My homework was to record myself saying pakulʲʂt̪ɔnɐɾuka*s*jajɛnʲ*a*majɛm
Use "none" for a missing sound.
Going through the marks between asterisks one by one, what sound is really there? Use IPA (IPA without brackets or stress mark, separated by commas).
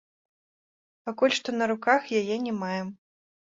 x, ɛ